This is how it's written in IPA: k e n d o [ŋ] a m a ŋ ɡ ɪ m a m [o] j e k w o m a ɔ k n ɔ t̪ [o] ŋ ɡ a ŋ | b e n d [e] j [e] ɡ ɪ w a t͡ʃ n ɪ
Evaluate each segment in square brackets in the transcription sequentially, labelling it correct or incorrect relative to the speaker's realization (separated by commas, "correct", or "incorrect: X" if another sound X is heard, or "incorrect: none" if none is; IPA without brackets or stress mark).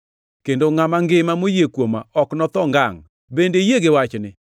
correct, correct, incorrect: ɔ, correct, correct